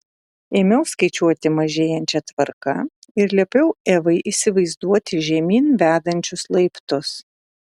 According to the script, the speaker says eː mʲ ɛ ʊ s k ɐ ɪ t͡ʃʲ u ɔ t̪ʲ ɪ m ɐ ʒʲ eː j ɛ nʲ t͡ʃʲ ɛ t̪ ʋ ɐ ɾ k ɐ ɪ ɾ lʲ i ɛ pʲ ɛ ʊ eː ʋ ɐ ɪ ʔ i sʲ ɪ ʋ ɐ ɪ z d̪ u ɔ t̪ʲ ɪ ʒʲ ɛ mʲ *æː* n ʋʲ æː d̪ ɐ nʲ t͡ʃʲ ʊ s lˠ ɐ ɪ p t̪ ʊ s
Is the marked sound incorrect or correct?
incorrect